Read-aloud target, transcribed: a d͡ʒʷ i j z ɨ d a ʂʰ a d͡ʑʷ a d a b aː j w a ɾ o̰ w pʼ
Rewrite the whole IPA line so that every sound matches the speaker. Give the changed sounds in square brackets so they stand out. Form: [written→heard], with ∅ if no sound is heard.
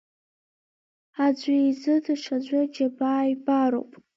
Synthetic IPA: a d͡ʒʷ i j z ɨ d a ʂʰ a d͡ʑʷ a [d→d͡ʒ] a b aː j [w→b] a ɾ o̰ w pʼ

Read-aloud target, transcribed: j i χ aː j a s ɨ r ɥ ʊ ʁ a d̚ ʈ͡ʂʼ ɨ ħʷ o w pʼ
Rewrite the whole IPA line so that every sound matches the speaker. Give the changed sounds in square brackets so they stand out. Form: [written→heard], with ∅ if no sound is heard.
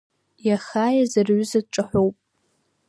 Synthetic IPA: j [i→a] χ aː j a [s→z] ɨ r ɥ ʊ [ʁ→z] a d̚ ʈ͡ʂʼ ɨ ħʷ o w pʼ

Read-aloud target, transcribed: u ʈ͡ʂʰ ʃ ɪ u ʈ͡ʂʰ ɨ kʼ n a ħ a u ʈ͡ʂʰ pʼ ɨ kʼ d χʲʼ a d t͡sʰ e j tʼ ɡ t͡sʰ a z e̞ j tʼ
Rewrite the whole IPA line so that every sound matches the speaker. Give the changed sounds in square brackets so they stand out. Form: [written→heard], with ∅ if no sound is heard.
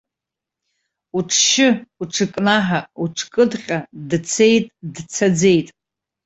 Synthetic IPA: u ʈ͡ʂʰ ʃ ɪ u ʈ͡ʂʰ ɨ kʼ n a ħ a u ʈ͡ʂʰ [pʼ→kʼ] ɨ [kʼ→∅] d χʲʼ a d t͡sʰ e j tʼ [ɡ→d] t͡sʰ a [z→d͡z] e̞ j tʼ

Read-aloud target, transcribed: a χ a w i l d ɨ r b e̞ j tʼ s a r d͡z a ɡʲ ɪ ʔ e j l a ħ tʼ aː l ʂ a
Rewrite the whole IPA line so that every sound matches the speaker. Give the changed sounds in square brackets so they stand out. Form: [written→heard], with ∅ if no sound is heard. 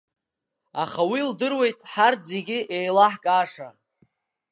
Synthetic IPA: a χ a w i l d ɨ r [b→w] e̞ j tʼ [s→ħ] a r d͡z [a→e] ɡʲ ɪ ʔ e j l a ħ [tʼ→kʼ] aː [l→∅] ʂ a

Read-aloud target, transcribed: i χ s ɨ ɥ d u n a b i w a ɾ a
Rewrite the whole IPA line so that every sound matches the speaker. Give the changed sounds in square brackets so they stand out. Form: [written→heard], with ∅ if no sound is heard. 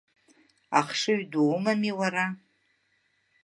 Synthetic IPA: [i→a] χ [s→ʂ] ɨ ɥ d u [n→m] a [b→m] i w a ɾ a

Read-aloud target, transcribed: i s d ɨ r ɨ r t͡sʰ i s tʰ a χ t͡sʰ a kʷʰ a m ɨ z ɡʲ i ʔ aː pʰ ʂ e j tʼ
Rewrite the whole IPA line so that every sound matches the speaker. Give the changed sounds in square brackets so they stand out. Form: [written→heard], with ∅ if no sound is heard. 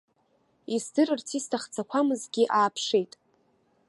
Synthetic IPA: i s d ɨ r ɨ r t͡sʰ i s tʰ a χ t͡sʰ a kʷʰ a m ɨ z ɡʲ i ʔ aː pʰ ʂ e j tʼ

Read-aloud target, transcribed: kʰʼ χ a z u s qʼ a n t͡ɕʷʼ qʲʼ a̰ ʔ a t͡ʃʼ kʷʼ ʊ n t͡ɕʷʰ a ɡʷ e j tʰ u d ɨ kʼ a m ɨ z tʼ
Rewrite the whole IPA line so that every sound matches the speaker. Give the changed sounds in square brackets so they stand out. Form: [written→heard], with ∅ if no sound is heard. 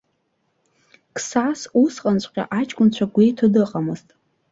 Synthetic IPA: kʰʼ [χ→s] a [z→s] u s qʼ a n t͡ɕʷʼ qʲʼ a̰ ʔ a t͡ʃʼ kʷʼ ʊ n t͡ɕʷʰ a ɡʷ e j tʰ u d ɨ [kʼ→qʼ] a m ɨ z tʼ

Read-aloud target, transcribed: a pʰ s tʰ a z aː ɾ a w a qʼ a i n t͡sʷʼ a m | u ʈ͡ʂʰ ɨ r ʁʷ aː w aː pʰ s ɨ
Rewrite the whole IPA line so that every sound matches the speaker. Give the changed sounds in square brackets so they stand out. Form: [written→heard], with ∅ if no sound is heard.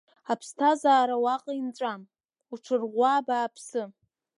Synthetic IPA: a pʰ s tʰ a z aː ɾ a w a qʼ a i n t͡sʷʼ a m | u ʈ͡ʂʰ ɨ r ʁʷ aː [w→b] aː pʰ s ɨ

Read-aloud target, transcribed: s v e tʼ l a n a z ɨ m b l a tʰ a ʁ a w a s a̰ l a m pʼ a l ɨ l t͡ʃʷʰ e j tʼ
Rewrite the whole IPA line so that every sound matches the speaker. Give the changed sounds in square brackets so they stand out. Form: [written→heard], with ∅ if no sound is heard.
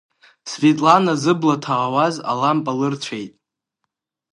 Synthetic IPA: s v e tʼ l a n a z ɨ [m→∅] b l a tʰ a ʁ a w a [s→z] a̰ l a m pʼ a l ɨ [l→r] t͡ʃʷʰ e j tʼ

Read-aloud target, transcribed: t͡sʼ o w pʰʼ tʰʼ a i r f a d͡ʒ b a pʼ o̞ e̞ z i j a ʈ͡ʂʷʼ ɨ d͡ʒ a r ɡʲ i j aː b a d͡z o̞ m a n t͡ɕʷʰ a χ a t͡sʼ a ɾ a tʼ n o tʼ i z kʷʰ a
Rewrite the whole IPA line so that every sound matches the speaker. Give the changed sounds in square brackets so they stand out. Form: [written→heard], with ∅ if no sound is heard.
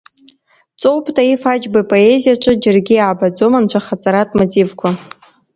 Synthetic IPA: t͡sʼ o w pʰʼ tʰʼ a i [r→∅] f a d͡ʒ b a pʼ o̞ e̞ z i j a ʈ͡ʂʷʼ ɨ d͡ʒ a r ɡʲ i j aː b a d͡z o̞ m a n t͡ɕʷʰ a χ a t͡sʼ a ɾ a tʼ [n→m] o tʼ i [z→v] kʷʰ a

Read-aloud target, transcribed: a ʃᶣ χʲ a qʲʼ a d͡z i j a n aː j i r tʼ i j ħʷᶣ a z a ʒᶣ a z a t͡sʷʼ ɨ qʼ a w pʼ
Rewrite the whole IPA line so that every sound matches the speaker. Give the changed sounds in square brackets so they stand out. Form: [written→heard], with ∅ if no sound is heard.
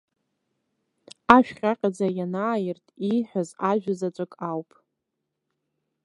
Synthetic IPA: a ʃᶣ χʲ a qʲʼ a d͡z [i→a] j a n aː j [i→ɪ] r tʼ i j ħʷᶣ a z a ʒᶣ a z a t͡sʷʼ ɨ [qʼ→kʼ] a w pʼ

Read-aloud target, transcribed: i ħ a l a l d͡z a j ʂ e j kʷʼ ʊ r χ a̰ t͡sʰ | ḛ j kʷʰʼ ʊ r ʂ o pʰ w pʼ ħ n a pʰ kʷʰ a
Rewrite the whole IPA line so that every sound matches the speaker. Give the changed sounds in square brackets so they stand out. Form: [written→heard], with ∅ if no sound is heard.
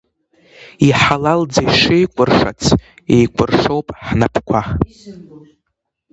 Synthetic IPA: i ħ a l a l d͡z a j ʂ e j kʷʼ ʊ r [χ→ʂ] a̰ t͡sʰ | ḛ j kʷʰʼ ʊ r ʂ o [pʰ→∅] w pʼ ħ n a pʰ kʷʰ a

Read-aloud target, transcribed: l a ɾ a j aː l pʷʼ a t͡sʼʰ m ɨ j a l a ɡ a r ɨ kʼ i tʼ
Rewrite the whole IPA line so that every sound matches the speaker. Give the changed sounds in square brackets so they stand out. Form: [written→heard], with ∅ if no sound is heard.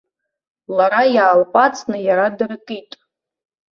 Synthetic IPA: l a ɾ a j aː l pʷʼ a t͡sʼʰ [m→n] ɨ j a [l→ɾ] a [ɡ→d] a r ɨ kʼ i tʼ

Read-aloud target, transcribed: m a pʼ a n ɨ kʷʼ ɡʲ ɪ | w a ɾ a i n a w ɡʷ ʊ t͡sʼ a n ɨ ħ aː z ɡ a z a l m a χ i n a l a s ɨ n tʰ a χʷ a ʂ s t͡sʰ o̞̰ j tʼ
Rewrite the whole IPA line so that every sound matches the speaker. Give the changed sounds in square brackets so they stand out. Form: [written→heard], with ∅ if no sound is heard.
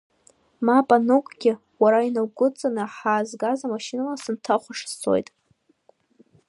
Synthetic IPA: m a pʼ a n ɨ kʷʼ ɡʲ ɪ | w a ɾ a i n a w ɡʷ ʊ t͡sʼ a n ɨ ħ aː z ɡ a z a [l→∅] m a [χ→ʃ] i n a l a s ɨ n tʰ a χʷ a ʂ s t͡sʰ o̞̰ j tʼ

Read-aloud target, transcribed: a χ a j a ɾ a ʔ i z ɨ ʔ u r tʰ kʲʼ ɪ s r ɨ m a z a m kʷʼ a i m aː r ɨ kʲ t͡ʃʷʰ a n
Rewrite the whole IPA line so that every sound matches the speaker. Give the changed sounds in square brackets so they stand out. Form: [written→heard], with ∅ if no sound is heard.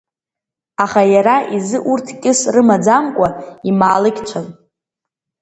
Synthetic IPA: a χ a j a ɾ a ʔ i z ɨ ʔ u r tʰ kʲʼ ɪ s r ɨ m a [z→d͡z] a m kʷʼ a i m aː [r→l] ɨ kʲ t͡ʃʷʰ a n

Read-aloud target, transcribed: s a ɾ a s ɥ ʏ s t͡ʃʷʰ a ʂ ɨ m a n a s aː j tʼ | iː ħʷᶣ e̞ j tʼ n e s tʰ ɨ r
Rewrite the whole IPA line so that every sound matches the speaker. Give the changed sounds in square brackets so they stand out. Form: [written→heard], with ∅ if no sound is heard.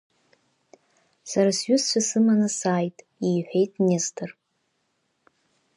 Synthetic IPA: s a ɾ a s ɥ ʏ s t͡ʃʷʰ a [ʂ→s] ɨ m a n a s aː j tʼ | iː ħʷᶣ e̞ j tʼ n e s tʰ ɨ r

